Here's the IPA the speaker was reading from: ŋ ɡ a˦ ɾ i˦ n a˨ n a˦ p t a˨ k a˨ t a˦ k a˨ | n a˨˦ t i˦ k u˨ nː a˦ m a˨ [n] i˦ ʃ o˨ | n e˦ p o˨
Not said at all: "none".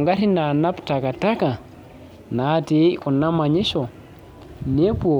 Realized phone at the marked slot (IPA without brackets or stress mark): ɲ